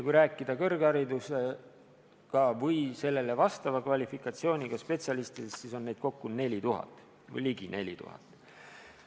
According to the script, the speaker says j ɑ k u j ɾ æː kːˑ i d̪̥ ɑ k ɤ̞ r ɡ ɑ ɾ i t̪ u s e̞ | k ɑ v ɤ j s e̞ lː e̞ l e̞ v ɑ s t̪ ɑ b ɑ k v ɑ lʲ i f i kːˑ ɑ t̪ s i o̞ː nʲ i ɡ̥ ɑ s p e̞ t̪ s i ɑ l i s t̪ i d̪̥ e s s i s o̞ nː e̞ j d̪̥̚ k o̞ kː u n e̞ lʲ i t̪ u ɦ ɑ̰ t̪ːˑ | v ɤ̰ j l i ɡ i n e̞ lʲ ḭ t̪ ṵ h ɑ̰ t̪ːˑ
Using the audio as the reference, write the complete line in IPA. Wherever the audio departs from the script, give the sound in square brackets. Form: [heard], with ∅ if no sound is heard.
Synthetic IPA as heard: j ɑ k u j ɾ æː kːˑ i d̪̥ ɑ k ɤ̞ r ɡ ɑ ɾ i [d̪] u s e̞ | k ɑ v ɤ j s e̞ lː e̞ l e̞ v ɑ s t̪ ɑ [v] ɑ k v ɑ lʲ i f i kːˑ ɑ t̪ s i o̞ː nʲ i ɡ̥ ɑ s p e̞ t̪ s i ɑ l i s t̪ i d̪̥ e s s i s o̞ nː e̞ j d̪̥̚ k o̞ kː u n e̞ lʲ i t̪ u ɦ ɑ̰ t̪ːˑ | v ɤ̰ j l i ɡ i n e̞ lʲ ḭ t̪ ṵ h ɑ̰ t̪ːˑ